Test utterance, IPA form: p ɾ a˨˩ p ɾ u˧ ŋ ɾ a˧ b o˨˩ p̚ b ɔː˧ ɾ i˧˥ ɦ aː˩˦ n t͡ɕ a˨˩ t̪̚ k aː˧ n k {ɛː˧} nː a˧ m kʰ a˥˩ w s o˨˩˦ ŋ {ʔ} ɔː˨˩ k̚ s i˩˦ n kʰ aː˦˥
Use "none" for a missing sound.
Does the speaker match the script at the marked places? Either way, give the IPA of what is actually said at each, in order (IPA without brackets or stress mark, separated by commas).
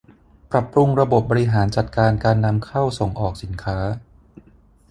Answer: aː˧, ʔ